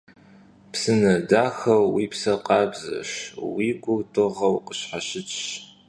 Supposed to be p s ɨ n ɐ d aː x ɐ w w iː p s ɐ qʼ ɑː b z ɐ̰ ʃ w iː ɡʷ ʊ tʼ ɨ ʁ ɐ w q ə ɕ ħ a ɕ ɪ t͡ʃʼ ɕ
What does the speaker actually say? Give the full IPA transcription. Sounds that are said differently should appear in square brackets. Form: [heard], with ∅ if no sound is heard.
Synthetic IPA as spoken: p s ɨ n ɐ d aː x ɐ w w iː p s ɐ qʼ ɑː b z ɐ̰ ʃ w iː ɡʷ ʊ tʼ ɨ ʁ ɐ w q ə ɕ ħ a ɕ ɪ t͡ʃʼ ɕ

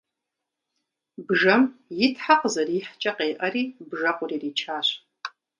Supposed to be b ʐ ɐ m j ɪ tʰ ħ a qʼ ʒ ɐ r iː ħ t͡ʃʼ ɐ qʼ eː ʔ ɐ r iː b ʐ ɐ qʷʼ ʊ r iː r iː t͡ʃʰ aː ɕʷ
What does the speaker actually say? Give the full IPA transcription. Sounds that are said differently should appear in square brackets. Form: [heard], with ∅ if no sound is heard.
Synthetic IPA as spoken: b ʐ ɐ m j ɪ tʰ ħ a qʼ [z] ɐ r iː ħ t͡ʃʼ ɐ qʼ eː ʔ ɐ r iː b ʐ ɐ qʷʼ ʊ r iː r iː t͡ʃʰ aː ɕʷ

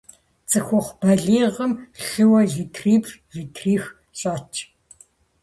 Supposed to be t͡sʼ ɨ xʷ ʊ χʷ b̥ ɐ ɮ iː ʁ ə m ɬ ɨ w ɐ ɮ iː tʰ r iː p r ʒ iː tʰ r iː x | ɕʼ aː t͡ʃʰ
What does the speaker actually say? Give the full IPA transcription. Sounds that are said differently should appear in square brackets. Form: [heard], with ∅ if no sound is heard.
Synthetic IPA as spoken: t͡sʼ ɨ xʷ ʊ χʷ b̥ ɐ ɮ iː ʁ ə m ɬ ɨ w ɐ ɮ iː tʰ r iː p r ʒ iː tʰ r iː x | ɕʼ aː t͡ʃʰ

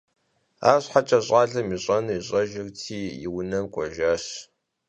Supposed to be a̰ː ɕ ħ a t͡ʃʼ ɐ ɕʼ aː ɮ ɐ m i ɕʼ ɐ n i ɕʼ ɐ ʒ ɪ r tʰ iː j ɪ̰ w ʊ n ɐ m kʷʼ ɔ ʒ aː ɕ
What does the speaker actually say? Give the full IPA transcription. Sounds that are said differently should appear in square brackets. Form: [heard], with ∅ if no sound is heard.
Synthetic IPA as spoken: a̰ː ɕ ħ a t͡ʃʼ ɐ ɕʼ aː ɮ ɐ m i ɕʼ ɐ n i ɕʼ ɐ ʒ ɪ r tʰ iː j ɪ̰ w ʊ n ɐ m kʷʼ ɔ ʒ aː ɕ

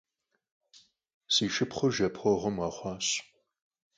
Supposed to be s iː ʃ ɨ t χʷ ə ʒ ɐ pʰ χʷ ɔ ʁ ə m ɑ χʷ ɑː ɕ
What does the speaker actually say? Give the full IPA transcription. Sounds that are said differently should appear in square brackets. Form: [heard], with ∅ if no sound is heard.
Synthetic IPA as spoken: s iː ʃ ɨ [p] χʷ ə ʒ ɐ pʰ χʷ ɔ ʁ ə m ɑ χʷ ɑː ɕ

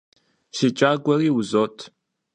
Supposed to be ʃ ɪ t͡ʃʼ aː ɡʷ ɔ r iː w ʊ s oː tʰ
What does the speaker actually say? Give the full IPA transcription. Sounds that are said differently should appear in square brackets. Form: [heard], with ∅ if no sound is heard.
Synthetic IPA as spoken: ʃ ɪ t͡ʃʼ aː ɡʷ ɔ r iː w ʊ [z] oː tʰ

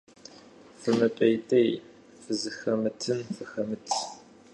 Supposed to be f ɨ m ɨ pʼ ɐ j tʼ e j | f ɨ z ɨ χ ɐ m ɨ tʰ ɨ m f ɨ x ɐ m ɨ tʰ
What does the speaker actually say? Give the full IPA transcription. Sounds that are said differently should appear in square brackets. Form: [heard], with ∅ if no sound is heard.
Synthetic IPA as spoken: f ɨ m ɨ pʼ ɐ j tʼ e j | f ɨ z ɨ [x] ɐ m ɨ tʰ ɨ m f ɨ x ɐ m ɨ tʰ

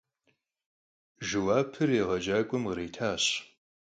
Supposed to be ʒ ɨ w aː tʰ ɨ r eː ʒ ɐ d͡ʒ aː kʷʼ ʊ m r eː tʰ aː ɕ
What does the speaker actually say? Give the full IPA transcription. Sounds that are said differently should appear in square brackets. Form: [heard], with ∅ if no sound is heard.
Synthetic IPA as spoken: ʒ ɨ w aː [pʰ] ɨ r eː [ʁ] ɐ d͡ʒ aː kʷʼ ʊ m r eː tʰ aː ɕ

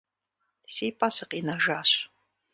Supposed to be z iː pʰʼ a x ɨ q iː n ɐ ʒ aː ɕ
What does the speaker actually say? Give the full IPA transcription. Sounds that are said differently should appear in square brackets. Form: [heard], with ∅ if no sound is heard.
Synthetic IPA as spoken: [s] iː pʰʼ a [s] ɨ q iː n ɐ ʒ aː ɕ

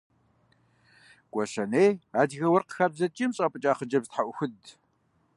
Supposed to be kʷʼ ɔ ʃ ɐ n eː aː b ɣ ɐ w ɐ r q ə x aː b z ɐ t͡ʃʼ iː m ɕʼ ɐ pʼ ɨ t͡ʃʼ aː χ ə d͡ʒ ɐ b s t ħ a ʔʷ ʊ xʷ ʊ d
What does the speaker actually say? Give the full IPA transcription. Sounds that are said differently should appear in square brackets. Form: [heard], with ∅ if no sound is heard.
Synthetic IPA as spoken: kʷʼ ɔ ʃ ɐ n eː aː [d] ɣ ɐ w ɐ r q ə x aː b z ɐ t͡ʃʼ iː m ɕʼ ɐ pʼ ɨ t͡ʃʼ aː χ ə d͡ʒ ɐ b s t ħ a ʔʷ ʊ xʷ ʊ d

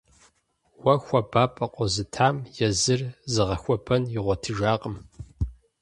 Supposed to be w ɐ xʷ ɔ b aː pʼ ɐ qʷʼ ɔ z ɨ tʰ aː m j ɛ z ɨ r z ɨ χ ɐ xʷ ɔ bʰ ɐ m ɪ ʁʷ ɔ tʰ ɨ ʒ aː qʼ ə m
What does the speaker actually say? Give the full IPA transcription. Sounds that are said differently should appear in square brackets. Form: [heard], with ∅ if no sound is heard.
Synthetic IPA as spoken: w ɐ xʷ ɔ b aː pʼ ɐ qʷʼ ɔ z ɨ tʰ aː m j ɛ z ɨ r z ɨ [ʁ] ɐ xʷ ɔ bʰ ɐ [n] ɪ ʁʷ ɔ tʰ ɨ ʒ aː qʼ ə m

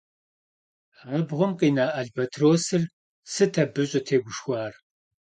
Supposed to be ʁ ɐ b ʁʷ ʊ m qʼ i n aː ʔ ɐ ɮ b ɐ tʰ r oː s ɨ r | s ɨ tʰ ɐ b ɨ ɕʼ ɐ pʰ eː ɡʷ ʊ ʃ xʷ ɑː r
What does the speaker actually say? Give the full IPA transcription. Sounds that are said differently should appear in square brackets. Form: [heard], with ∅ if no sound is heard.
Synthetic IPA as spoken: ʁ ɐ b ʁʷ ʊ m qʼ i n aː ʔ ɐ ɮ b ɐ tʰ r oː s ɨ r | s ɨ tʰ ɐ b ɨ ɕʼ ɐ [tʰ] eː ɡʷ ʊ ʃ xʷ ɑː r

